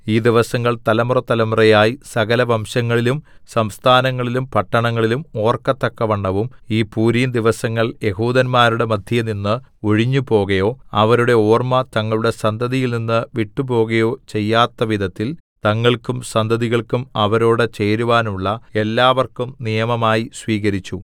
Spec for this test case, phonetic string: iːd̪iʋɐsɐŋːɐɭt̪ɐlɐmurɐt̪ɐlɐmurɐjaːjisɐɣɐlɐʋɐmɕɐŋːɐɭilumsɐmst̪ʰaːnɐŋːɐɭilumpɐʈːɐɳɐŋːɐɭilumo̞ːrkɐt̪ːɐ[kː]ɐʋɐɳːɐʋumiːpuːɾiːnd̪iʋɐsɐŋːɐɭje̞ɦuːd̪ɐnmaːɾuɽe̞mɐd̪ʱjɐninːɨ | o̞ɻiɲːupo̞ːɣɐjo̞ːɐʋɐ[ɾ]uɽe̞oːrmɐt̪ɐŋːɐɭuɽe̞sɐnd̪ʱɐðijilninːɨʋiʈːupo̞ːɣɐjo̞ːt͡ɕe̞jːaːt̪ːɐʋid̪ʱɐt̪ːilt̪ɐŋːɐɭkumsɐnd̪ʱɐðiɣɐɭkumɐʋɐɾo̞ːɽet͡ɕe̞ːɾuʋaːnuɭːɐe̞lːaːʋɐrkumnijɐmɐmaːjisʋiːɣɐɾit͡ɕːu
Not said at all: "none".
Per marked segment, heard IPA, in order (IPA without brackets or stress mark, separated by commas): kː, ɾ